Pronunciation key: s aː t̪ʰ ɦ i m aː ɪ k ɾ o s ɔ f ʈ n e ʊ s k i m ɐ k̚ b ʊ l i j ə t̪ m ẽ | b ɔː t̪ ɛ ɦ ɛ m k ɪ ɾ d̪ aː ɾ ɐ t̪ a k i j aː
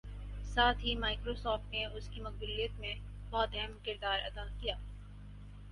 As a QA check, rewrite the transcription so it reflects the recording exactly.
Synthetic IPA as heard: s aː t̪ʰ ɦ i m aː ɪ k ɾ o s ɔː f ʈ n e ʊ s k i m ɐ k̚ b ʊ l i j ə t̪ m ẽ | b ɔː t̪ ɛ ɦ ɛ m k ɪ ɾ d̪ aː ɾ ɐ d̪ a k i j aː